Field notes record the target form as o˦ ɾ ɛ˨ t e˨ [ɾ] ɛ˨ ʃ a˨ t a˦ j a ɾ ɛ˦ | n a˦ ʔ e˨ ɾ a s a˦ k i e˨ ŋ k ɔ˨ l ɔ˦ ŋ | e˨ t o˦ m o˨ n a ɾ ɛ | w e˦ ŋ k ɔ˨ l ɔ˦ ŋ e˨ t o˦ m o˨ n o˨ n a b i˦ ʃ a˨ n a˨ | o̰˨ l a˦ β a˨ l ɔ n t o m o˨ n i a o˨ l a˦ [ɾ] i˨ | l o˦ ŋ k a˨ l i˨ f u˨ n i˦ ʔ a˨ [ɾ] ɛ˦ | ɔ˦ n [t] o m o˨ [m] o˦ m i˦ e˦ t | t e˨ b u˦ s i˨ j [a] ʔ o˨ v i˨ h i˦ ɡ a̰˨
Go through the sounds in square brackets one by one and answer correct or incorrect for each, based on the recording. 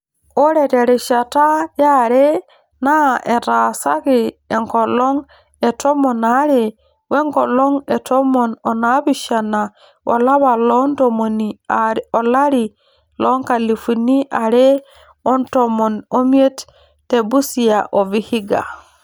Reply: correct, correct, correct, correct, incorrect: n, correct

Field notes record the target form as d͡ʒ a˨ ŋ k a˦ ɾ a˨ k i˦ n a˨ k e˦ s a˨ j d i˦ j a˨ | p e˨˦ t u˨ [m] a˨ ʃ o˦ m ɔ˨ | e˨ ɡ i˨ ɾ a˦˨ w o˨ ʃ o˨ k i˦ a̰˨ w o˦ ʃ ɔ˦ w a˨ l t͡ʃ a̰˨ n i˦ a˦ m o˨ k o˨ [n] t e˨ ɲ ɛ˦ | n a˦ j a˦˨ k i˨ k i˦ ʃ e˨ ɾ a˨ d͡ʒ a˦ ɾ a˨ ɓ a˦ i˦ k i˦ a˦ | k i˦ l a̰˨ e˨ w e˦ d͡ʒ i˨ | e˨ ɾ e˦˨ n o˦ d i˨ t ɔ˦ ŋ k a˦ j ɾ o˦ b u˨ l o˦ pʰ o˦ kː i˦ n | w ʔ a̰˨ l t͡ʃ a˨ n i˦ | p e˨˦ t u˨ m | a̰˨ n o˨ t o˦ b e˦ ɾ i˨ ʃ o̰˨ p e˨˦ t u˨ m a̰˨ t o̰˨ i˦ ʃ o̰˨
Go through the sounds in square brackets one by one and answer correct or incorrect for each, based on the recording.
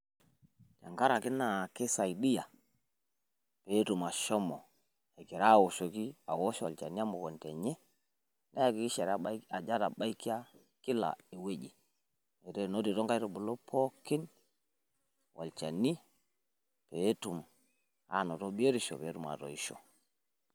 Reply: correct, correct

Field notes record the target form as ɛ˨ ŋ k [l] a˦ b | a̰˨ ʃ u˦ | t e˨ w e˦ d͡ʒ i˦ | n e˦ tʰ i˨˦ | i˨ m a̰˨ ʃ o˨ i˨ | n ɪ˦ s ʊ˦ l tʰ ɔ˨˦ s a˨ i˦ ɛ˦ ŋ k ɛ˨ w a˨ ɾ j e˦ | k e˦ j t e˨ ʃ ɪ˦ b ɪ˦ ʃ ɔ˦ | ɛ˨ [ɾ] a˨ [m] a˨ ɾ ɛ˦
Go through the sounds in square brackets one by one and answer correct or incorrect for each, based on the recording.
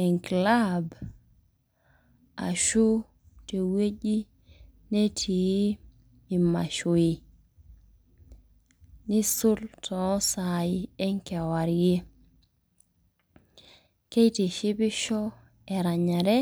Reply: correct, correct, incorrect: ɲ

